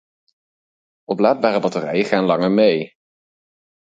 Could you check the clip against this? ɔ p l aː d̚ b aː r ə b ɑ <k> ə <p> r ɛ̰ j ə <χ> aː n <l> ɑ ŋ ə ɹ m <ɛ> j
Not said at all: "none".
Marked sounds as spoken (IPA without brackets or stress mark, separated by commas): t, none, χ, l, e